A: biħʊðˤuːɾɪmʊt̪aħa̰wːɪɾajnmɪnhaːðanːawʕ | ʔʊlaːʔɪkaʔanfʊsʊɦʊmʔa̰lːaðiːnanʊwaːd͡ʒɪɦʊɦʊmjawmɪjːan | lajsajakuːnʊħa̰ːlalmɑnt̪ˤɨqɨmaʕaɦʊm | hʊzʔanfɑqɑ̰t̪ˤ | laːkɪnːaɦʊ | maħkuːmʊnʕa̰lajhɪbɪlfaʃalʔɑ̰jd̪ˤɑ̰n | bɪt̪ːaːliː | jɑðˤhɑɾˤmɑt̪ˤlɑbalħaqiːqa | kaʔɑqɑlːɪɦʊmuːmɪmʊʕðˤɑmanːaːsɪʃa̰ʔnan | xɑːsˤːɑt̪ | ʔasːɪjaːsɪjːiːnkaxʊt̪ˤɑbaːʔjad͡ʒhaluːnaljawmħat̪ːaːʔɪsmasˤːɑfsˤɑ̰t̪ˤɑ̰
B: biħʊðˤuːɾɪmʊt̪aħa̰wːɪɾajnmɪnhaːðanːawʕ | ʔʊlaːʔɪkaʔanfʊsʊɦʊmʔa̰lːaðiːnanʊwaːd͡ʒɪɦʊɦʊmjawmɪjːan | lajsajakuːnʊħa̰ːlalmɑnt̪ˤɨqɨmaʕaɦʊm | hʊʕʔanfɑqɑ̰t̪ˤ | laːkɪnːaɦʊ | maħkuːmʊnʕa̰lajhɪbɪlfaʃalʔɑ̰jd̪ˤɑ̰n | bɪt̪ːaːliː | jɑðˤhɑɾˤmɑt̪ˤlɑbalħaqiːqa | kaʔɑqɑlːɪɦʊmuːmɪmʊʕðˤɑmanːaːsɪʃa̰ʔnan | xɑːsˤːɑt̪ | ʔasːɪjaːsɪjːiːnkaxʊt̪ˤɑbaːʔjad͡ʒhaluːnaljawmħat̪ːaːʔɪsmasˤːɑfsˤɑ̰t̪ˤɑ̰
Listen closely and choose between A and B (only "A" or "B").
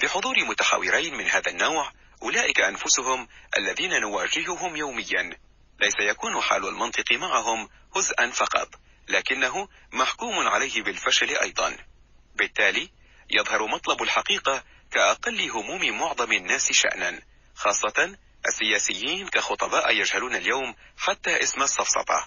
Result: A